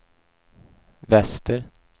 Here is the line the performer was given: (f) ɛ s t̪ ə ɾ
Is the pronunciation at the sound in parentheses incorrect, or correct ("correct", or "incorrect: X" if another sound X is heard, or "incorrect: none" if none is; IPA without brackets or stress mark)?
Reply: incorrect: v